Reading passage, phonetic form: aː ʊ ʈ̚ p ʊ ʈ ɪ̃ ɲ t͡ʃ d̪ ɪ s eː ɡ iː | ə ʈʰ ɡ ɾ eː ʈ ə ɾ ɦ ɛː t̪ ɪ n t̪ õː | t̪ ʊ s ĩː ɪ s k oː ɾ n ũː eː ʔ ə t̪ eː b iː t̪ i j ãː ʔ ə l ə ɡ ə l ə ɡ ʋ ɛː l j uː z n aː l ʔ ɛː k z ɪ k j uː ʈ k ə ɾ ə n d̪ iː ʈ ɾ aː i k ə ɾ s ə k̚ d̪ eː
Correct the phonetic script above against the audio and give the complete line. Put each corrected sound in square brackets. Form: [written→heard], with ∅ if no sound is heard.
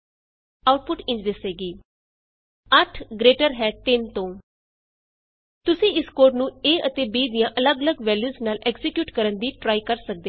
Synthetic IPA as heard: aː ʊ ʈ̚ p ʊ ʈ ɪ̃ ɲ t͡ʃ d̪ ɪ s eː ɡ iː | ə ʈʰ ɡ ɾ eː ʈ ə ɾ ɦ ɛː t̪ ɪ n t̪ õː | t̪ ʊ s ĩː ɪ s k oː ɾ n ũː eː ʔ ə t̪ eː b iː [t̪→d̪] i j ãː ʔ ə l ə ɡ ə l ə ɡ ʋ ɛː l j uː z n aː l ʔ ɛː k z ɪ k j uː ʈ k ə ɾ ə n d̪ iː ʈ ɾ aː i k ə ɾ s ə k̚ d̪ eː